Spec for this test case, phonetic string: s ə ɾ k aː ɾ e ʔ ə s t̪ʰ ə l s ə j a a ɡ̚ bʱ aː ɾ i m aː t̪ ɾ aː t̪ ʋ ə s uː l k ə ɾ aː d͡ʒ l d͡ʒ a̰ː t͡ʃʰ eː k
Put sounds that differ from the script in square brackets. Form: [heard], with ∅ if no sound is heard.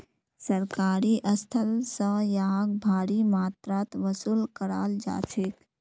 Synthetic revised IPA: s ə ɾ k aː ɾ [i] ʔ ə s t̪ʰ ə l s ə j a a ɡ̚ bʱ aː ɾ i m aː t̪ ɾ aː t̪ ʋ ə s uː l k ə ɾ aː [∅] l d͡ʒ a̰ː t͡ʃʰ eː k